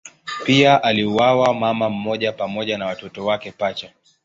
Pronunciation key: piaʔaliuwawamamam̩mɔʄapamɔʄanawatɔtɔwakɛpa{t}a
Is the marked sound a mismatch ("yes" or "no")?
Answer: yes